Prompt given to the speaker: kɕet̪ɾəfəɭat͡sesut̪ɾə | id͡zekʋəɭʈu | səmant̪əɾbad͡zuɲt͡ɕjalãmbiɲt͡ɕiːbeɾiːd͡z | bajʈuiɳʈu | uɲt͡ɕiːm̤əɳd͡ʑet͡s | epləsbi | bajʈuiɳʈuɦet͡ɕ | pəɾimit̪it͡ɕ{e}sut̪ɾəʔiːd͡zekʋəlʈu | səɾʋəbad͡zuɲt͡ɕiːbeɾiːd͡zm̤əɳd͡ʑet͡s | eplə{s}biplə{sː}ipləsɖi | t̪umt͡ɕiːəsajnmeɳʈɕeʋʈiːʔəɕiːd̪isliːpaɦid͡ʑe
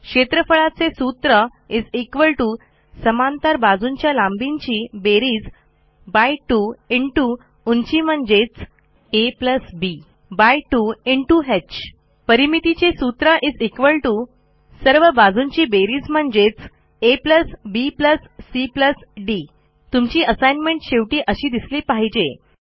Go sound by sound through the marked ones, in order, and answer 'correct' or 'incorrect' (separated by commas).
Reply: correct, correct, correct